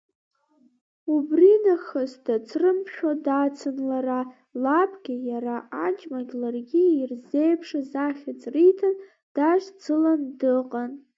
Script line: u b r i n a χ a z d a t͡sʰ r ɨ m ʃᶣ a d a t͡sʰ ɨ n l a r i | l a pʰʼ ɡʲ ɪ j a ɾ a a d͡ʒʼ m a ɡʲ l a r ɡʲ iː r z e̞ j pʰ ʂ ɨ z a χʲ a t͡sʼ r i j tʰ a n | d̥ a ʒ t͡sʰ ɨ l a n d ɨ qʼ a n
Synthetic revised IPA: u b r i n a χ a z d a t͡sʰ r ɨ m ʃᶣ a d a t͡sʰ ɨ n l a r a | l a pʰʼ ɡʲ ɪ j a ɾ a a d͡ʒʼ m a ɡʲ l a r ɡʲ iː r z e̞ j pʰ ʂ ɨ z a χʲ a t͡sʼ r i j tʰ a n | d̥ a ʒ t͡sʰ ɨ l a n d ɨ qʼ a n